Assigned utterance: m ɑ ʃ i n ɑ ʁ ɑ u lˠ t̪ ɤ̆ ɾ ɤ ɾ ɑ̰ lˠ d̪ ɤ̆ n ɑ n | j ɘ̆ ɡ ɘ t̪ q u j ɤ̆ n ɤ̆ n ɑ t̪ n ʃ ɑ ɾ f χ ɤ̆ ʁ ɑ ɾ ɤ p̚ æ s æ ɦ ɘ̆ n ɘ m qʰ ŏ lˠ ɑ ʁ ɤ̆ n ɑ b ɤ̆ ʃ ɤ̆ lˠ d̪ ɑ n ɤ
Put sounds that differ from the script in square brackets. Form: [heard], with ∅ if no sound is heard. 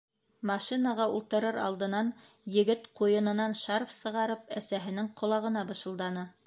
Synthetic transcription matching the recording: m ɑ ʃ i n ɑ ʁ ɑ u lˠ t̪ ɤ̆ ɾ ɤ ɾ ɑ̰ lˠ d̪ ɤ̆ n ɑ n | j ɘ̆ ɡ ɘ t̪ q u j ɤ̆ n ɤ̆ n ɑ [∅] n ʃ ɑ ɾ f [s] ɤ̆ ʁ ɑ ɾ ɤ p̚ æ s æ ɦ ɘ̆ n ɘ [ŋ] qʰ ŏ lˠ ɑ ʁ ɤ̆ n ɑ b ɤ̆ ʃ ɤ̆ lˠ d̪ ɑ n ɤ